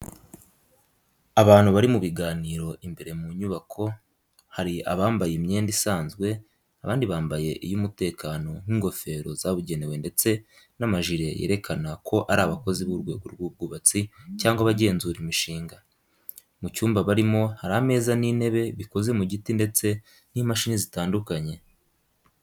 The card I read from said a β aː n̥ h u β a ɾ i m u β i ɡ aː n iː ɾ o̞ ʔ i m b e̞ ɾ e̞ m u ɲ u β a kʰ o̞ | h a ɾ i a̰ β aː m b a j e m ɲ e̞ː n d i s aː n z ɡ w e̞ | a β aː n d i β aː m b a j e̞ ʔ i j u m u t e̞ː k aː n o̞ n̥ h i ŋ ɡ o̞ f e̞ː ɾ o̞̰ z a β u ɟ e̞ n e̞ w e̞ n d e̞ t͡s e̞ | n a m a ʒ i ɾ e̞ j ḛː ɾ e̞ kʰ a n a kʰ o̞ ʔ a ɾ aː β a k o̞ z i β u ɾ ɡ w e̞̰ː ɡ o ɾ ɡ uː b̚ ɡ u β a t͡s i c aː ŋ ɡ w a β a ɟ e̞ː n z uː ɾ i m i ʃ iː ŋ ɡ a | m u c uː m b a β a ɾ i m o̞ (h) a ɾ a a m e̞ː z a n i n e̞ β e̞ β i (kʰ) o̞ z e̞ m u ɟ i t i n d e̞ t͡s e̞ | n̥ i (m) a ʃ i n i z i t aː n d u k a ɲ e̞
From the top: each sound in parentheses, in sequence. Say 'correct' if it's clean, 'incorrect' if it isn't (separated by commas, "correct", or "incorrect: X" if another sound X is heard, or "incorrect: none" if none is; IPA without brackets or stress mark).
correct, incorrect: k, correct